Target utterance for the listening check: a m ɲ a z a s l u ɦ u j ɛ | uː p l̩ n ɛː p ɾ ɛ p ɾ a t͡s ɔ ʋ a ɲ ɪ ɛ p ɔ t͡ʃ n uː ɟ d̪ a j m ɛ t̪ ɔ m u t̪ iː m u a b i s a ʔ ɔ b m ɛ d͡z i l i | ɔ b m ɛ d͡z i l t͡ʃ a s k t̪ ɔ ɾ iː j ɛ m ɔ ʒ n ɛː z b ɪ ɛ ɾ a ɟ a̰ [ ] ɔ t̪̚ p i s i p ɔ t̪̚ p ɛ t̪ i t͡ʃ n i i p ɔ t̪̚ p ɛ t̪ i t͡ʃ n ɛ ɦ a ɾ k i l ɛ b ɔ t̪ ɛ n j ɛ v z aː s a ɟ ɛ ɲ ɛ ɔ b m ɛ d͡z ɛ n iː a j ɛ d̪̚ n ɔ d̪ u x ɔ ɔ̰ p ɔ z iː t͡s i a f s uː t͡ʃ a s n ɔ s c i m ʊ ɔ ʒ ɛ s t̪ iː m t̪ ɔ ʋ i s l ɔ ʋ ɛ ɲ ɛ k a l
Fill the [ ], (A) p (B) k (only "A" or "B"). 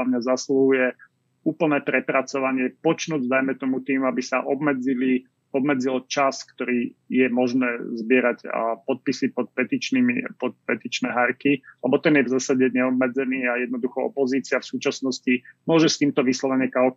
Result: A